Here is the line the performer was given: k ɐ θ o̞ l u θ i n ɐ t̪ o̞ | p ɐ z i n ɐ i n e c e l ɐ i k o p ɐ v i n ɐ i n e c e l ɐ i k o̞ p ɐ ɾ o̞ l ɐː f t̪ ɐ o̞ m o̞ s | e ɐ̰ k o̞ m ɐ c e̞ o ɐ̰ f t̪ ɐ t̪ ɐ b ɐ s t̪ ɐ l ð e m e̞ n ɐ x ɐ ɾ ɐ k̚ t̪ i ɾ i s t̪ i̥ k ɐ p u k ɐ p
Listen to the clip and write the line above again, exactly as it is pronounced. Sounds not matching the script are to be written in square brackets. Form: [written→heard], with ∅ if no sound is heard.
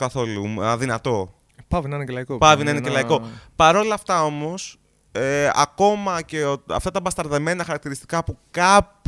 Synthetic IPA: k ɐ θ o̞ l u [θ→ð] i n ɐ t̪ o̞ | p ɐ [z→v] i n ɐ i n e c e l ɐ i k o p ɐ v i n ɐ i n e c e l ɐ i k o̞ p ɐ ɾ o̞ l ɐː f t̪ ɐ o̞ m o̞ s | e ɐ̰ k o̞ m ɐ c e̞ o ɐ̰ f t̪ ɐ t̪ ɐ b ɐ s t̪ ɐ [l→ɾ] ð e m e̞ n ɐ x ɐ ɾ ɐ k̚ t̪ i ɾ i s t̪ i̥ k ɐ p u k ɐ p